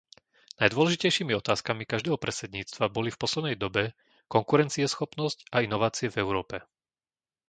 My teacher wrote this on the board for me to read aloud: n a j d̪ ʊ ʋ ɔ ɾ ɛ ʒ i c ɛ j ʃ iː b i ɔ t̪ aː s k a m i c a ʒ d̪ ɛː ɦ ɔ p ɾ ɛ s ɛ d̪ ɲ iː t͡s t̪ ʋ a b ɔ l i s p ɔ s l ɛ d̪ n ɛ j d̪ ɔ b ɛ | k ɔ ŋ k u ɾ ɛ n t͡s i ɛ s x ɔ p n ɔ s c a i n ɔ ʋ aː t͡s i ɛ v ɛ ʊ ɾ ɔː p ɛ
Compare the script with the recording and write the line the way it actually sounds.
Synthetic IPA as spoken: n a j d̪ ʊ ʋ ɔ l ɛ ʒ i c ɛ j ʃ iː m i ɔ t̪ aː s k a m i k a ʒ d̪ ɛː ɦ ɔ p ɾ ɛ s ɛ d̪ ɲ iː t͡s t̪ ʋ a b ɔ l i f p ɔ s l ɛ d̪ n ɛ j d̪ ɔ b ɛ | k ɔ ŋ k u ɾ ɛ n t͡s i ɛ s x ɔ p n ɔ s c a i n ɔ ʋ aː t͡s i ɛ v ɛ ʊ ɾ ɔː p ɛ